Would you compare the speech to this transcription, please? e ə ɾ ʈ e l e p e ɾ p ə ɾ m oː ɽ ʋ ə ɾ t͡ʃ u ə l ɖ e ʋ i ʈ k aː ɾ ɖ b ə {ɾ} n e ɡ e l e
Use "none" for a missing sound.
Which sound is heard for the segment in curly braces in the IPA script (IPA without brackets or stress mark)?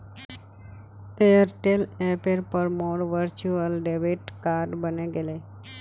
none